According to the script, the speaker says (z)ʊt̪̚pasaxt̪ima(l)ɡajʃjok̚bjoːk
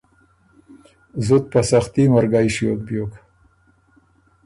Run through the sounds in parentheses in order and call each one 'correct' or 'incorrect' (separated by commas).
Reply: correct, incorrect